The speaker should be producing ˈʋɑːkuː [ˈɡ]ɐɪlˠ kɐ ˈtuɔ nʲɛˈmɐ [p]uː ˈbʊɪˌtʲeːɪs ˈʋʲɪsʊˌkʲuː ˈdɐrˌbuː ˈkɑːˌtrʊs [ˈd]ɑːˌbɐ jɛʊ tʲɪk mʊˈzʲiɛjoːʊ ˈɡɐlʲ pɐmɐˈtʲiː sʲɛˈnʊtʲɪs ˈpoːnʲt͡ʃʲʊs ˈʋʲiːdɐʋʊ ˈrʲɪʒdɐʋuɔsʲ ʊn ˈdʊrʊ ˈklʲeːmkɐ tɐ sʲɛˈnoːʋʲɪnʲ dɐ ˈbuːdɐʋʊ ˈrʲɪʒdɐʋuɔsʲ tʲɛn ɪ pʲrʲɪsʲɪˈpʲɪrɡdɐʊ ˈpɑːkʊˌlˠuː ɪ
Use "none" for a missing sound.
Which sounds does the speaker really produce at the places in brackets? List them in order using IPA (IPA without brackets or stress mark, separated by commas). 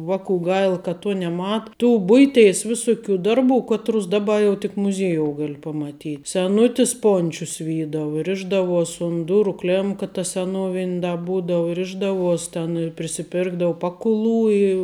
ɡ, t, d